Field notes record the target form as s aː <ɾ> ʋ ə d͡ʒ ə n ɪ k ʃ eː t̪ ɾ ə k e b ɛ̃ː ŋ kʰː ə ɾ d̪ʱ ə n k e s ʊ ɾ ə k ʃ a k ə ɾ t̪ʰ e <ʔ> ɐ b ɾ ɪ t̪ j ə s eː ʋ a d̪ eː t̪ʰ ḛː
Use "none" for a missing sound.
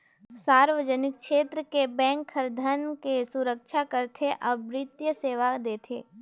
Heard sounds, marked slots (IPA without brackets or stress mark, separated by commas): ɾ, ʔ